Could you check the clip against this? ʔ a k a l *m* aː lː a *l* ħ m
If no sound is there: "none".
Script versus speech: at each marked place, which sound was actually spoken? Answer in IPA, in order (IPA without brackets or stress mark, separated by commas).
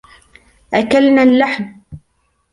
n, none